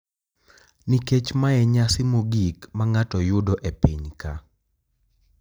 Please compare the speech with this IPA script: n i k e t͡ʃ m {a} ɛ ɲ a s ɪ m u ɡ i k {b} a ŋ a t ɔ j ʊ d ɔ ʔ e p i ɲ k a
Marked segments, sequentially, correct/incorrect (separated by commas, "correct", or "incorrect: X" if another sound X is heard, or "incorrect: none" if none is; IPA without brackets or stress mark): correct, incorrect: m